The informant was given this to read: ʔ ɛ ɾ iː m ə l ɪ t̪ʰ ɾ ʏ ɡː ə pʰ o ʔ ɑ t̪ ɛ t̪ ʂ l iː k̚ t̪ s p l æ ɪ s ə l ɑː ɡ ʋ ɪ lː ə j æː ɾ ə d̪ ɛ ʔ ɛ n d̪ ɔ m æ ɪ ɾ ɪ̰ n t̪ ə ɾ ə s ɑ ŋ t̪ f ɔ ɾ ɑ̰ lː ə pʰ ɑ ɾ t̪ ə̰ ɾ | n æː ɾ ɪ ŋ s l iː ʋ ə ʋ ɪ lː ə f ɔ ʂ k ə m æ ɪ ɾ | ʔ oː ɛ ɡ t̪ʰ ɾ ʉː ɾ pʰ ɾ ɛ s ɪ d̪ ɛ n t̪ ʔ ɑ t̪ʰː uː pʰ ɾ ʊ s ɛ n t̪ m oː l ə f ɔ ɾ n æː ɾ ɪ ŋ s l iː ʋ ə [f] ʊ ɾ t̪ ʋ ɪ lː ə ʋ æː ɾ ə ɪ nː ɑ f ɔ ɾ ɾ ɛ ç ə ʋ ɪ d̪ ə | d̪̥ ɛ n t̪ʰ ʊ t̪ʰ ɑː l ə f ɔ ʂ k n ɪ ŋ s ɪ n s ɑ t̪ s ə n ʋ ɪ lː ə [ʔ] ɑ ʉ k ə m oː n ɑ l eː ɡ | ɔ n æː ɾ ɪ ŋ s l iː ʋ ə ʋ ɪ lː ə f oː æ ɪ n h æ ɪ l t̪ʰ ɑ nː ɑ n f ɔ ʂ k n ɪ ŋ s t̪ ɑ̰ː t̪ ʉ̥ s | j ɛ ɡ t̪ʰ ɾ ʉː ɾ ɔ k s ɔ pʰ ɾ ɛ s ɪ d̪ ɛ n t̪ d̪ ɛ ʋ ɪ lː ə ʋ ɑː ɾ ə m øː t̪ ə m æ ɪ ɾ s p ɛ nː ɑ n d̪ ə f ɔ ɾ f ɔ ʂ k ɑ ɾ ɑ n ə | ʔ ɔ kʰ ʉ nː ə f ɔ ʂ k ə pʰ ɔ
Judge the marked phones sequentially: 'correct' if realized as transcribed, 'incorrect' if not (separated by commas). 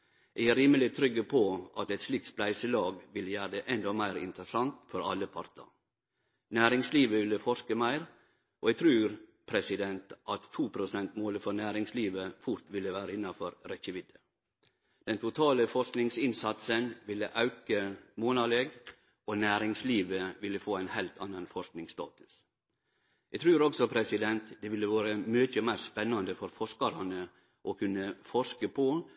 correct, correct